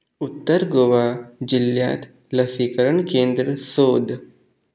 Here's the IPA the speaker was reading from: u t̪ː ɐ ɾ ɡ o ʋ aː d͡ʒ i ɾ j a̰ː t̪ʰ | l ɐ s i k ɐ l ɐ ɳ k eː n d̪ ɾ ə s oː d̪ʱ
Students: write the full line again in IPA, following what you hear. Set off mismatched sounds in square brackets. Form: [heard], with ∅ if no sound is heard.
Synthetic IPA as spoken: u t̪ː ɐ ɾ ɡ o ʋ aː d͡ʒ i [l] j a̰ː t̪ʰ | l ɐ s i k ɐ [ɾ] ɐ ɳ k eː n d̪ ɾ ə s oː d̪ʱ